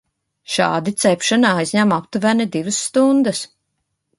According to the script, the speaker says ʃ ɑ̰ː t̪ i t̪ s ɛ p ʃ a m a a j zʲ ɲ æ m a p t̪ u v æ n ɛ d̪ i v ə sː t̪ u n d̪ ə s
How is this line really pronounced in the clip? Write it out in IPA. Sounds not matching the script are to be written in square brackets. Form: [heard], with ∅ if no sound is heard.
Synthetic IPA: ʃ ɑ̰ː [d̪] i t̪ s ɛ p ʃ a [n] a a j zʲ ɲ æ m a p t̪ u v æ n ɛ d̪ i v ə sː t̪ u n d̪ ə s